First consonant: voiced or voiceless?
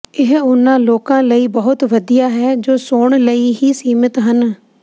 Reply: voiced